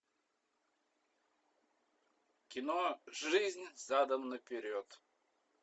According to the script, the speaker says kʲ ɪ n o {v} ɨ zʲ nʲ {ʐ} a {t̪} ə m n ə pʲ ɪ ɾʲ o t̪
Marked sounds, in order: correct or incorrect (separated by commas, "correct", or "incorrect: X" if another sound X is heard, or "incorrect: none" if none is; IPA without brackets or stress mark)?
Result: incorrect: ʐ, incorrect: z, incorrect: d̪